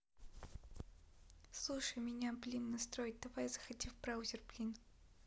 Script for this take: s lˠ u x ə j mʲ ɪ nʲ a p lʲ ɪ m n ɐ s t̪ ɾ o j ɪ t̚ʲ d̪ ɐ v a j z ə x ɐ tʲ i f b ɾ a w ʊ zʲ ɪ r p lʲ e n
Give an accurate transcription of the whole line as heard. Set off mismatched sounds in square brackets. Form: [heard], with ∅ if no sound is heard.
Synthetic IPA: s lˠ u [ʂ] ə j mʲ ɪ nʲ a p lʲ [i] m n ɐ s t̪ ɾ o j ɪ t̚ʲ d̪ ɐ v a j z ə x ɐ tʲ i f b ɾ a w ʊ zʲ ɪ r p lʲ [i] n